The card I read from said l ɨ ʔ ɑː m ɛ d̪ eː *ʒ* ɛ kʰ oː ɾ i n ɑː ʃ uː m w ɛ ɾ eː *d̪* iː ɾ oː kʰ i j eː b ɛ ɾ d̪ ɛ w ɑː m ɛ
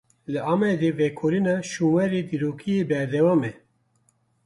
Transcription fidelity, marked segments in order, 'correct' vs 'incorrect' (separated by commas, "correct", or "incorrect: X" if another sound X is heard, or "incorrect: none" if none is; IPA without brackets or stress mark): incorrect: v, correct